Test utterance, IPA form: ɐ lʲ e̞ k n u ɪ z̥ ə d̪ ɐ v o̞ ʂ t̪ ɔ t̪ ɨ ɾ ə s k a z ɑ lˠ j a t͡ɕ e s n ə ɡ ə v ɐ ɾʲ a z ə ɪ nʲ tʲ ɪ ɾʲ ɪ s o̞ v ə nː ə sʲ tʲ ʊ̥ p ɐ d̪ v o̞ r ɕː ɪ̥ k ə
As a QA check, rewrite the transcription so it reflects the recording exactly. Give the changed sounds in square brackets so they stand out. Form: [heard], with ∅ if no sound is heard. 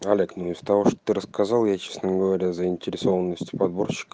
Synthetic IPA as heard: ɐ lʲ e̞ k n u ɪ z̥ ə [t̪] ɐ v o̞ ʂ t̪ [o] t̪ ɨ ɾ ə s k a z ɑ lˠ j a t͡ɕ e s n ə ɡ ə v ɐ ɾʲ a z ə ɪ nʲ tʲ ɪ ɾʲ ɪ s o̞ v ə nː ə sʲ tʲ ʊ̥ p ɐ d̪ [b] o̞ r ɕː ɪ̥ k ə